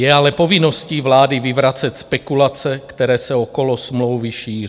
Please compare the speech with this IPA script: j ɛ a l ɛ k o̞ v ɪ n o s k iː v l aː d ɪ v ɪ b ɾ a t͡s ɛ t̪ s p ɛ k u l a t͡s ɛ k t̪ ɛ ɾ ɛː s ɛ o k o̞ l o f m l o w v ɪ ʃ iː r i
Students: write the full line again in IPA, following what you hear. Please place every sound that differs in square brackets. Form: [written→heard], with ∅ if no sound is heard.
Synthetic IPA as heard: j ɛ a l ɛ [k→p] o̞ v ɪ n o s [k→c] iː v l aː d ɪ v ɪ [b→v] ɾ a t͡s ɛ t̪ s p ɛ k u l a t͡s ɛ k t̪ ɛ ɾ ɛː s ɛ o k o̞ l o [f→s] m l o w v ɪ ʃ iː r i